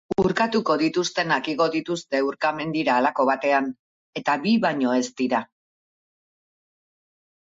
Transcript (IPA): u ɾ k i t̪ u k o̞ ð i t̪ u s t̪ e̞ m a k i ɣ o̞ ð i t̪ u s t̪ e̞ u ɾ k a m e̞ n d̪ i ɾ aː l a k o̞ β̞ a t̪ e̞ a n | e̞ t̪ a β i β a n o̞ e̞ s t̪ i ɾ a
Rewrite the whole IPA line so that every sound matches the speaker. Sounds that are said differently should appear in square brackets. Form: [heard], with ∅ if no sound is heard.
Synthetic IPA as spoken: u ɾ k [a] t̪ u k o̞ ð i t̪ u s t̪ e̞ [n] a k i ɣ o̞ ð i t̪ u s t̪ e̞ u ɾ k a m e̞ n d̪ i ɾ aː l a k o̞ β̞ a t̪ e̞ a n | e̞ t̪ a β i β a [ɲ] o̞ e̞ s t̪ i ɾ a

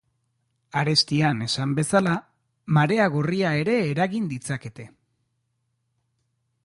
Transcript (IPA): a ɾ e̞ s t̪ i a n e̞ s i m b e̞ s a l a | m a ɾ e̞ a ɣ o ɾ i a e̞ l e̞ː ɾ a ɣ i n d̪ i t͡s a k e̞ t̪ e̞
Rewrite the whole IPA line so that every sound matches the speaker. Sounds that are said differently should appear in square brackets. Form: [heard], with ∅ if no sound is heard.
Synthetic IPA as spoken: a ɾ e̞ s t̪ i a n e̞ s [a] m b e̞ s a l a | m a ɾ e̞ a ɣ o [r] i a e̞ [ɾ] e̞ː ɾ a ɣ i n d̪ i t͡s a k e̞ t̪ e̞

